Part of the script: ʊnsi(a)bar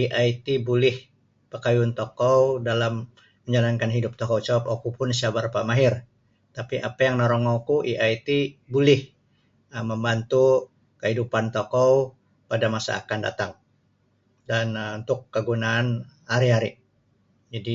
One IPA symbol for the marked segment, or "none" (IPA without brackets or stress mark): a